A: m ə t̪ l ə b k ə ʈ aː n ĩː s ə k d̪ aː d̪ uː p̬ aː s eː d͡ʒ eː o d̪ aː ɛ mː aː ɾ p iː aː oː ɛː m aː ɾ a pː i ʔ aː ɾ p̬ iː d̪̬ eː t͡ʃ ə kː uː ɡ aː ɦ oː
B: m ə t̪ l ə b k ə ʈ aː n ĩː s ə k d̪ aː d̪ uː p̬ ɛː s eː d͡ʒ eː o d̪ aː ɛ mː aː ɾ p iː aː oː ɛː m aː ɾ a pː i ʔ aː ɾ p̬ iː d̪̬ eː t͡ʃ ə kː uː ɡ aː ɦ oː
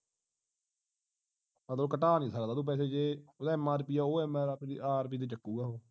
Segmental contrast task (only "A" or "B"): B